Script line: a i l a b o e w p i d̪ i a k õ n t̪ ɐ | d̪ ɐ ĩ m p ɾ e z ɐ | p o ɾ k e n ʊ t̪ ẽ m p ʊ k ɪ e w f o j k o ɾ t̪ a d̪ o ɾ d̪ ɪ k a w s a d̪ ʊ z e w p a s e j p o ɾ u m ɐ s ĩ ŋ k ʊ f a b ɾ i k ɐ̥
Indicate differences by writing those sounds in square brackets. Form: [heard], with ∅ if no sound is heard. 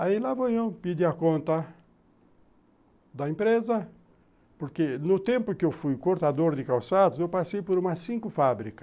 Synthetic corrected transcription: a i l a [v] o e w p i d̪ i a k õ n t̪ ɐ | d̪ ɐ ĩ m p ɾ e z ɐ | p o ɾ k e n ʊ t̪ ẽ m p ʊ k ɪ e w f [u] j k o ɾ t̪ a d̪ o ɾ d̪ ɪ k a w s a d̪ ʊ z e w p a s e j p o ɾ u m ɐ s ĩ ŋ k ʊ f a b ɾ i k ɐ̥